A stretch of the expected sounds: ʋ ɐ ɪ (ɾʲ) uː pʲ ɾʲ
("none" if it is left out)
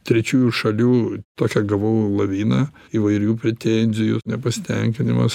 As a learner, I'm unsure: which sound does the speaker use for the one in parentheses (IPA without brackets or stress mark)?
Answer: ɾʲ